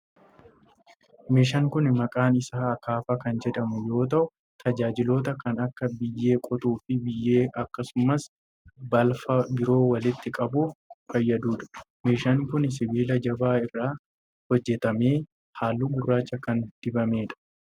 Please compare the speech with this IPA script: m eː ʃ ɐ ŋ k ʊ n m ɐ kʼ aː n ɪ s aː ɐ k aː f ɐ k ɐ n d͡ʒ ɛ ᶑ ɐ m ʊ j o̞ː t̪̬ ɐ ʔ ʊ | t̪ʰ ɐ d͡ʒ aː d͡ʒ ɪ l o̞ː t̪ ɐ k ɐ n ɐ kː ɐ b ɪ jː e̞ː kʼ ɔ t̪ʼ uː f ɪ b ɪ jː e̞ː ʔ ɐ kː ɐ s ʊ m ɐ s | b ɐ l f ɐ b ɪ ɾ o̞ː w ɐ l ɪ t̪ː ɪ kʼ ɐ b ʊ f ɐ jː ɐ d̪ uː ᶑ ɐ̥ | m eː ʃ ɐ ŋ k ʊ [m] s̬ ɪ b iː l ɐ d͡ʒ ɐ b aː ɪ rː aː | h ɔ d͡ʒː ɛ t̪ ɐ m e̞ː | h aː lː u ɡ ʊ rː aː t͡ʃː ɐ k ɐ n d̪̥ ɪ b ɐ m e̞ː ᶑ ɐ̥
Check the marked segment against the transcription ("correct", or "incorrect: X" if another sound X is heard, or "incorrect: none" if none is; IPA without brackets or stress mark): incorrect: n